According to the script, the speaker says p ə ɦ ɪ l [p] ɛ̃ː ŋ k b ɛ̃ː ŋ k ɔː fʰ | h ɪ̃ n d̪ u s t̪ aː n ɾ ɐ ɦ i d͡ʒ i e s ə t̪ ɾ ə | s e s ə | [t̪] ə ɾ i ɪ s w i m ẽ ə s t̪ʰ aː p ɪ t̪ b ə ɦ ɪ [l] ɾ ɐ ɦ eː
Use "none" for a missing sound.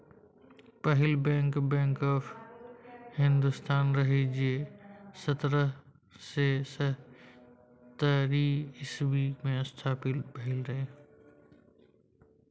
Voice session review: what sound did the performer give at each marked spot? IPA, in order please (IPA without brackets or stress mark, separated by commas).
b, t̪, l